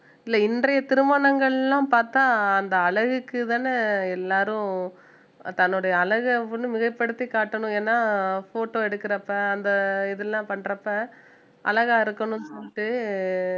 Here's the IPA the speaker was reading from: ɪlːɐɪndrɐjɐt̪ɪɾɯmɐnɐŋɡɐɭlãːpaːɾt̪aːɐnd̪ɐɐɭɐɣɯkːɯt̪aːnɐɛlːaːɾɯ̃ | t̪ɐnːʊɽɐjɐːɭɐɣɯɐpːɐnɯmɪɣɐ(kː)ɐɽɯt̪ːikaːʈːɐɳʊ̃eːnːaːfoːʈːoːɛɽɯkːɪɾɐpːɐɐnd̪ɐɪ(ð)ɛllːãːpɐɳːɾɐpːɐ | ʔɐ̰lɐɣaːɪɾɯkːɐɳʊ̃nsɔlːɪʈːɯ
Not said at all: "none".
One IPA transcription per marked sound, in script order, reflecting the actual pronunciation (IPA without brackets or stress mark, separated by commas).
pː, ð